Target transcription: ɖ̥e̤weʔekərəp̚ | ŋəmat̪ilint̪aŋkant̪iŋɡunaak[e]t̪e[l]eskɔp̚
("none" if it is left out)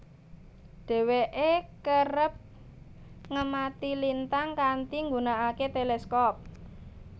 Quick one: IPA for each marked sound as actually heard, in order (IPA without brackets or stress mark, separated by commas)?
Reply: e, l